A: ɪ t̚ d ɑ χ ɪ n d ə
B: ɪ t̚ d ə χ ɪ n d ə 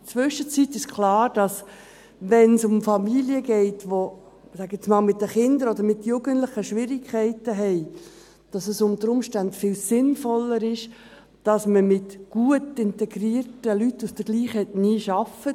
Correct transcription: B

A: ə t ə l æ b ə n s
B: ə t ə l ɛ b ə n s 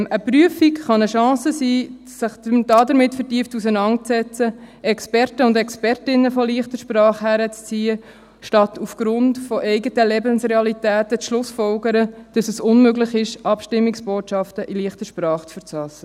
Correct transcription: B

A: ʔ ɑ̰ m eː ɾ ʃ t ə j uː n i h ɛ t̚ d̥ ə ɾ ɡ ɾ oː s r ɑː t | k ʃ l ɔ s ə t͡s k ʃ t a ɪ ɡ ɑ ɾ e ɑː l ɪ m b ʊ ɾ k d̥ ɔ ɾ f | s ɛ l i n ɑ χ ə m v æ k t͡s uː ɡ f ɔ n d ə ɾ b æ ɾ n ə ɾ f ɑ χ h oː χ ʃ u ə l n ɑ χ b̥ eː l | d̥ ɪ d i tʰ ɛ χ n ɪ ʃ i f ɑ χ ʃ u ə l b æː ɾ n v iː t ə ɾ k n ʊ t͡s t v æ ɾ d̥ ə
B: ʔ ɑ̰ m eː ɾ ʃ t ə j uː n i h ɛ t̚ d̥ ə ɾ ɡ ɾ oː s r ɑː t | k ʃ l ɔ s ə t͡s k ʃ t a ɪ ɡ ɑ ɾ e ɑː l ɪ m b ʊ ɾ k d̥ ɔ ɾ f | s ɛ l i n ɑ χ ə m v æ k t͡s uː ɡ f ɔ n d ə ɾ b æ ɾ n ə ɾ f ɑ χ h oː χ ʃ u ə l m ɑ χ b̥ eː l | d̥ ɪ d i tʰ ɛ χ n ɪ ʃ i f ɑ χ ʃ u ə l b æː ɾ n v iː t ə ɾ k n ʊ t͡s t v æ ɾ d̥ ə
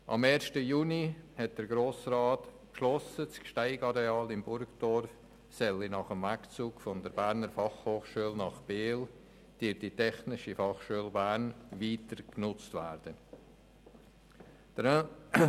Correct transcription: A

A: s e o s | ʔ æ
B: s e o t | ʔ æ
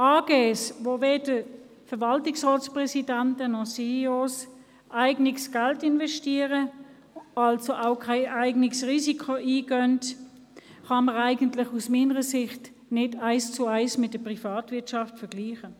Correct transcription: A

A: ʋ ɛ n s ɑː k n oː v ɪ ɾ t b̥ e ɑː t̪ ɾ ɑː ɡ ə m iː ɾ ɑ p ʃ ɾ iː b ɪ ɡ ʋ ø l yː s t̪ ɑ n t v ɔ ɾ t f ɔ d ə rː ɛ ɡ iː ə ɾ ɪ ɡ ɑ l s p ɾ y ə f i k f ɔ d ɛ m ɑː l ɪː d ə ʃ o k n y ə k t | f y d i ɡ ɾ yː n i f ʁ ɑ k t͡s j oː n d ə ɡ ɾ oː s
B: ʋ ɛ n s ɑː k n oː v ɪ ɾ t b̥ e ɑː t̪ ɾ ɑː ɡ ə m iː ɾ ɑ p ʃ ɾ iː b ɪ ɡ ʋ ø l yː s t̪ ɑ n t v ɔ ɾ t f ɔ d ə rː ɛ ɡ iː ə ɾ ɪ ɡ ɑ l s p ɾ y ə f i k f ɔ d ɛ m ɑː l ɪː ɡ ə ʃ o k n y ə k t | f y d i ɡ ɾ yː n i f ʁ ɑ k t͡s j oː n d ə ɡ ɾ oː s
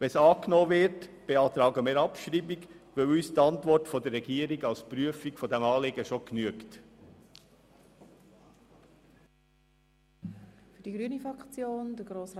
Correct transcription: B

